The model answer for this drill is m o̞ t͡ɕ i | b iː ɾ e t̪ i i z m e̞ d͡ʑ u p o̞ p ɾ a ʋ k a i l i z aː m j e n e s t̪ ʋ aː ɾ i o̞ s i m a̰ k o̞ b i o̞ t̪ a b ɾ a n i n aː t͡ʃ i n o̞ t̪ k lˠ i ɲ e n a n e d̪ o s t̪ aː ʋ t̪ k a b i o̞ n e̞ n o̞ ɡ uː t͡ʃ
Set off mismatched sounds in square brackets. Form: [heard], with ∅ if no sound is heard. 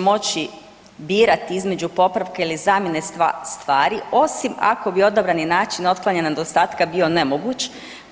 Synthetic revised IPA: m o̞ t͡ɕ i | b iː ɾ [a] t̪ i i z m e̞ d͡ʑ u p o̞ p ɾ a ʋ k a i l i z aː m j e n e s t̪ ʋ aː ɾ i o̞ s i m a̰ k o̞ b i o̞ [d̪] a b ɾ a n i n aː t͡ʃ i n o̞ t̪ k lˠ [a] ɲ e n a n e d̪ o s t̪ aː [∅] t̪ k a b i o̞ n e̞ [m] o̞ ɡ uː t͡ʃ